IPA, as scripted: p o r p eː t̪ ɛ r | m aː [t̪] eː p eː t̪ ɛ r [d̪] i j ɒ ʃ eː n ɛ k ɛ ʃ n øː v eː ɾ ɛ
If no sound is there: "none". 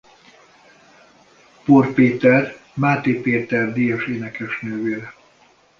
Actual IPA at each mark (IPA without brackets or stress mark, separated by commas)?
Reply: t̪, d̪